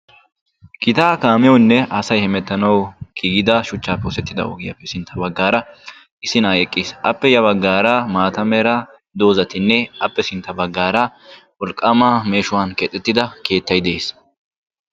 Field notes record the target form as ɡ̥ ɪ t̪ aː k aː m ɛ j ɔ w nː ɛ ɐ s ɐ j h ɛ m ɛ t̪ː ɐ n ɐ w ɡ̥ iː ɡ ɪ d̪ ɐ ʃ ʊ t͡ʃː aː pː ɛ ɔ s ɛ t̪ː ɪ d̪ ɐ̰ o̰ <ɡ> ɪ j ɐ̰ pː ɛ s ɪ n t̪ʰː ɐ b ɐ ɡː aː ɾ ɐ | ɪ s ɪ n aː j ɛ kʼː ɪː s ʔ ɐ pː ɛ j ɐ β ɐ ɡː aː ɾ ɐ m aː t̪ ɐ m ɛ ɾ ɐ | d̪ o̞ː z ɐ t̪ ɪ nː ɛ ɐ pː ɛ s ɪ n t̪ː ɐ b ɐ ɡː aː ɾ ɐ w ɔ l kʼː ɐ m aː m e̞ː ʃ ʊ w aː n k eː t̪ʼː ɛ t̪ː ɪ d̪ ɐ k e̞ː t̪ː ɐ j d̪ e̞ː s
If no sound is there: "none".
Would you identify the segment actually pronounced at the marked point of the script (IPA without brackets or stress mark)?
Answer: ɡ